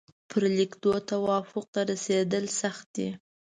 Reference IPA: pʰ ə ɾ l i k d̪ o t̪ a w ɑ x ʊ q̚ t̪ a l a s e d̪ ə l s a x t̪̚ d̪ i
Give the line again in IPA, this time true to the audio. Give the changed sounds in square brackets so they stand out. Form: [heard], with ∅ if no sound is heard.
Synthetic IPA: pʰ ə ɾ l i k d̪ o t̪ a w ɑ [f] ʊ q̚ t̪ a [ɾ] a s e d̪ ə l s a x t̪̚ d̪ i